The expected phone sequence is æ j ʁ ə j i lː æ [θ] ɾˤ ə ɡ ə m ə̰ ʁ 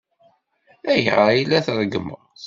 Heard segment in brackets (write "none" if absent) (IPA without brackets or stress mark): θ